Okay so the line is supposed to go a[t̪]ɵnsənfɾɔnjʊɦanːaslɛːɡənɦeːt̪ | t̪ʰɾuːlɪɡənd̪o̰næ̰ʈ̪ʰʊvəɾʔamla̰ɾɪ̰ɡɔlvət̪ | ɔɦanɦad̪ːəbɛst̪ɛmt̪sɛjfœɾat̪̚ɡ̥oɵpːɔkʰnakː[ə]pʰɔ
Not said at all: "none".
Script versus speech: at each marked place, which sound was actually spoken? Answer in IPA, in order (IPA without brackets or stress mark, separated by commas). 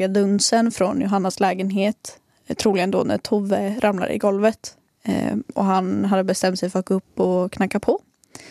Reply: d̪, a